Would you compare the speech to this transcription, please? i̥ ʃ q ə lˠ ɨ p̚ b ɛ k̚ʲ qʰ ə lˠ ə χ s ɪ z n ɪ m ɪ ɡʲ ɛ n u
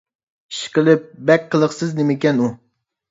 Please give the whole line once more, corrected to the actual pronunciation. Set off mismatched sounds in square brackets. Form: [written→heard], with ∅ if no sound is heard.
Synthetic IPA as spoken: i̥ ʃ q ə lˠ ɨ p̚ b ɛ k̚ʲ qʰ ə lˠ ə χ s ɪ z n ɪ m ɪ [ɡʲ→kʲ] ɛ n u